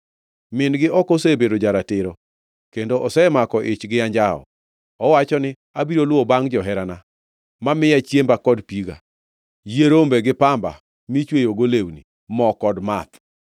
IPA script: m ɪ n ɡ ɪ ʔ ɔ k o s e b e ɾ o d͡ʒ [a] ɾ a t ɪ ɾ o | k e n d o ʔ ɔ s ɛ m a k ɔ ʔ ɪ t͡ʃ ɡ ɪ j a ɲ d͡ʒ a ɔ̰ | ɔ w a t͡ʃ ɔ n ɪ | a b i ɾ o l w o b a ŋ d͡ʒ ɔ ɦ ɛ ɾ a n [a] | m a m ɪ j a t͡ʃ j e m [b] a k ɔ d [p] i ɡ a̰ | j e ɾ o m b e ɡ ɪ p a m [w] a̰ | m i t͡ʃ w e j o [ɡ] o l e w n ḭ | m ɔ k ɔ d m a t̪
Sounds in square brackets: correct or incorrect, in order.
correct, correct, correct, correct, incorrect: b, correct

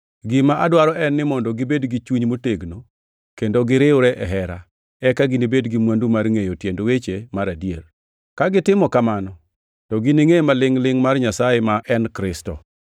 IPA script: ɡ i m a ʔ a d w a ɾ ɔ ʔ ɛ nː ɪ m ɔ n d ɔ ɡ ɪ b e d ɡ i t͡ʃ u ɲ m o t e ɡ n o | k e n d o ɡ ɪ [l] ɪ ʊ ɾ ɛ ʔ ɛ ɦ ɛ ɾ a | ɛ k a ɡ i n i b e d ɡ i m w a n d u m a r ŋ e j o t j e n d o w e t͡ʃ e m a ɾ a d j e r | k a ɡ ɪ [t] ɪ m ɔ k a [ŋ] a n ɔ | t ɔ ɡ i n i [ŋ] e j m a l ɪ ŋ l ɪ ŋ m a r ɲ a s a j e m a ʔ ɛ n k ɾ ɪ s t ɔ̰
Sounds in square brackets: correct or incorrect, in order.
incorrect: ɾ, correct, incorrect: m, correct

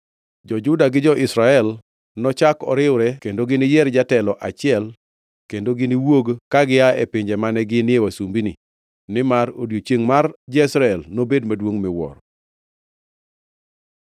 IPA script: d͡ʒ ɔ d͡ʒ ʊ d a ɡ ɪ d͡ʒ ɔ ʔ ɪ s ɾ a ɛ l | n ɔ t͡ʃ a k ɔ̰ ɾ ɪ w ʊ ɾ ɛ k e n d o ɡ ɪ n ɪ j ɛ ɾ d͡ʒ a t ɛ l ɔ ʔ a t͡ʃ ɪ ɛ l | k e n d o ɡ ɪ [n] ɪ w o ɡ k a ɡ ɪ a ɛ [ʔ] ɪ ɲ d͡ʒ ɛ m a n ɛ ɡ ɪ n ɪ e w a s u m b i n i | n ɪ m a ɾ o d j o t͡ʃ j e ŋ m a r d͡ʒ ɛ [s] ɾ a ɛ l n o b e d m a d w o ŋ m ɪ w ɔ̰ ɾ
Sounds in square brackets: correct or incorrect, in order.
correct, incorrect: p, correct

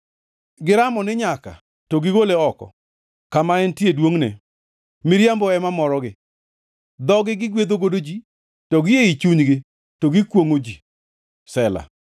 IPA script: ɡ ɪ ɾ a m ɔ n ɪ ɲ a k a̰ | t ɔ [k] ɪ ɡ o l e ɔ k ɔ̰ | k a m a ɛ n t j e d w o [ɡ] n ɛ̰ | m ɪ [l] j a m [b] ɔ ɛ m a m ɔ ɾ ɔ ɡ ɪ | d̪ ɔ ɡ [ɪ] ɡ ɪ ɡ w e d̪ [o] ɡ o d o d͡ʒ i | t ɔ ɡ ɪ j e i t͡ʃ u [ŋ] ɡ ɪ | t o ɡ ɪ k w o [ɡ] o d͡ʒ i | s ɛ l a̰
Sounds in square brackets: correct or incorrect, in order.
incorrect: ɡ, incorrect: ŋ, incorrect: ɾ, correct, correct, correct, incorrect: ɲ, incorrect: ŋ

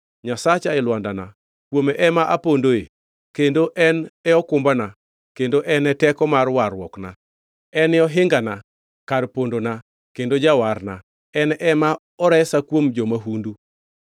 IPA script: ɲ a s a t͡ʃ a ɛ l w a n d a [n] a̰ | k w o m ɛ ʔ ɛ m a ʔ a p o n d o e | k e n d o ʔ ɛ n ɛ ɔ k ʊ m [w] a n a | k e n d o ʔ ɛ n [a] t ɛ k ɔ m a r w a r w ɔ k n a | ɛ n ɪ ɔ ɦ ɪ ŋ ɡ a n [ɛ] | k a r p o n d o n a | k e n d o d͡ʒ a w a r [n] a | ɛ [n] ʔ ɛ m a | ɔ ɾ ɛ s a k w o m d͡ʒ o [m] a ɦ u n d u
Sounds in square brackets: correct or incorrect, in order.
correct, incorrect: b, incorrect: ɛ, incorrect: a, correct, correct, correct

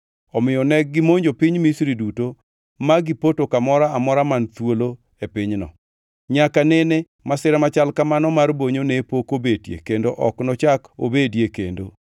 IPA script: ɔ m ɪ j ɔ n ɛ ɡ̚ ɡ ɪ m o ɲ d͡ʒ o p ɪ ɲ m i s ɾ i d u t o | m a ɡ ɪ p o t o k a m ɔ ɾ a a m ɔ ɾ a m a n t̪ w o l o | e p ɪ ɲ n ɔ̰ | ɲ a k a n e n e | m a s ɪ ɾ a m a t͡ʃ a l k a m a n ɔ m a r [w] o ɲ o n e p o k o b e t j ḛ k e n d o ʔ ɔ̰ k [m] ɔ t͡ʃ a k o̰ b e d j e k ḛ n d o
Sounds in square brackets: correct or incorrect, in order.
incorrect: b, incorrect: n

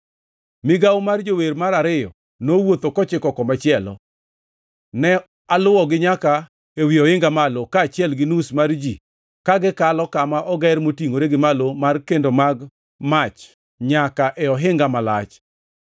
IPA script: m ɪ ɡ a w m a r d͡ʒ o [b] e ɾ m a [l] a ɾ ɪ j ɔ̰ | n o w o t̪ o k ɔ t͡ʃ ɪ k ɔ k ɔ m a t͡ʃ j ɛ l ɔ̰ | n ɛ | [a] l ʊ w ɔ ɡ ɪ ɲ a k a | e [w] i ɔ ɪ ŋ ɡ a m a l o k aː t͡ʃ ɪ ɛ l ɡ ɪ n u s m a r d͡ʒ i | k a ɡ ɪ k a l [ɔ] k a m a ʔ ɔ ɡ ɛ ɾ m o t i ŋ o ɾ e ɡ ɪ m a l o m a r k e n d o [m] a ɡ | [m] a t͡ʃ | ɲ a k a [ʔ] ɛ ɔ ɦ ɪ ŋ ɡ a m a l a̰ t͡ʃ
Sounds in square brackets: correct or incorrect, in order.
incorrect: w, incorrect: ɾ, correct, correct, correct, correct, correct, correct

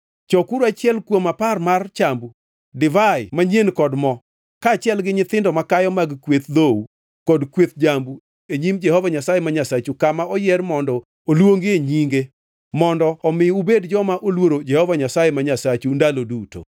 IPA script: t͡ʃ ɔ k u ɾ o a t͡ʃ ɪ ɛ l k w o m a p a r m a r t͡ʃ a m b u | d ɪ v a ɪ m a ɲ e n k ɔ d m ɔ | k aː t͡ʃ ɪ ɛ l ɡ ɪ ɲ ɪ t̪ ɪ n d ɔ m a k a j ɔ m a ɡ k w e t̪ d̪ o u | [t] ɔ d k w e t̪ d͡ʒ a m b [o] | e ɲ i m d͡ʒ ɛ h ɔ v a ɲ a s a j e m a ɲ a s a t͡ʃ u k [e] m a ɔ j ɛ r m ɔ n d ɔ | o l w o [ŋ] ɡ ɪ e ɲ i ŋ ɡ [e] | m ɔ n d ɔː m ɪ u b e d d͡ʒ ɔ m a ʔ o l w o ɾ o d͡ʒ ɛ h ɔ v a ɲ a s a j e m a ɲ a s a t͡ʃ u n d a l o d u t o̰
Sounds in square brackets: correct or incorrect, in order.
incorrect: k, incorrect: u, incorrect: a, correct, correct

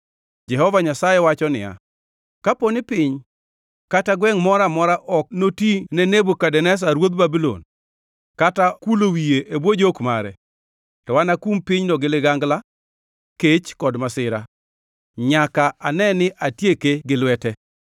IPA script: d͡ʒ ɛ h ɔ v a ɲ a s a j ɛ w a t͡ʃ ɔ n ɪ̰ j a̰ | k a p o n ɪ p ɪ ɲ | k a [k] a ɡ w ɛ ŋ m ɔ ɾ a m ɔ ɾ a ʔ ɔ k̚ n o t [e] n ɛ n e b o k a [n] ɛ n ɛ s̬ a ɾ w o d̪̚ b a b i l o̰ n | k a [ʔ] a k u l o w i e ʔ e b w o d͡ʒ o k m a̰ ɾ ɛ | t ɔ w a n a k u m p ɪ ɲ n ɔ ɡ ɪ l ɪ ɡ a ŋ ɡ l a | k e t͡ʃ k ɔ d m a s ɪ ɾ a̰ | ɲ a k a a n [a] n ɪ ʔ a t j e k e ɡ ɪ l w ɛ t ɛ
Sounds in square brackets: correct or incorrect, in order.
incorrect: t, incorrect: i, incorrect: d, incorrect: t, incorrect: ɛ

